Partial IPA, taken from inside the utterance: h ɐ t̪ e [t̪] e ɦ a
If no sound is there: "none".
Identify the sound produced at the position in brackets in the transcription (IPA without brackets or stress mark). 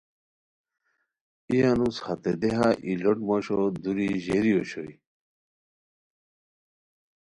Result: d̪